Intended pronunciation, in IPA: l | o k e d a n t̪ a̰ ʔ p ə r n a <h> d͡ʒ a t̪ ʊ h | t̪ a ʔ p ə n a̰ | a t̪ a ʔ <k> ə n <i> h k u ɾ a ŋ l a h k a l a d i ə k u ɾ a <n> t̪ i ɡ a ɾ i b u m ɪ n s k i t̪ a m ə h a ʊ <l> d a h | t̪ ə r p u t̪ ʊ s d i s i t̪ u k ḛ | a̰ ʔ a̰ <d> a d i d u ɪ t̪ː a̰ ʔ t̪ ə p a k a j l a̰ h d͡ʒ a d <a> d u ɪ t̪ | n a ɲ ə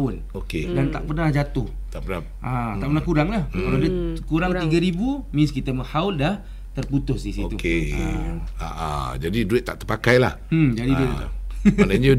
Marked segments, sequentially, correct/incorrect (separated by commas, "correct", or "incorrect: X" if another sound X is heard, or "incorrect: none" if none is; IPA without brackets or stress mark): correct, incorrect: p, incorrect: a, incorrect: ŋ, correct, incorrect: d͡ʒ, incorrect: i